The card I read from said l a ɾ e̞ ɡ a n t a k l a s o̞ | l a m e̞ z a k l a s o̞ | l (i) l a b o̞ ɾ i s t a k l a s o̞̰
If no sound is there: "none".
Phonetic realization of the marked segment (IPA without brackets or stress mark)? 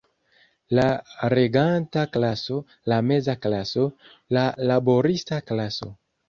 a